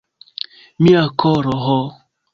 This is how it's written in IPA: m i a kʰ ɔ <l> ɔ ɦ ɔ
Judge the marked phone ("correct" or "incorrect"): incorrect